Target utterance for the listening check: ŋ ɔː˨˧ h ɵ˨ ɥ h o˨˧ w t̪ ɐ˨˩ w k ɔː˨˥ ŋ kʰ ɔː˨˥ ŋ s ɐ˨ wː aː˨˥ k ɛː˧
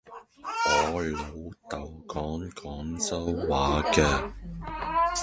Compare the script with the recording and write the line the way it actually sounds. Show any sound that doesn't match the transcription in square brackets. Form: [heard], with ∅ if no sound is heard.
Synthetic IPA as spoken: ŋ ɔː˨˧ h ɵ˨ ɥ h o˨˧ w t̪ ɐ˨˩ w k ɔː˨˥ ŋ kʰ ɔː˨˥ ŋ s [ɐ˥] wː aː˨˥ k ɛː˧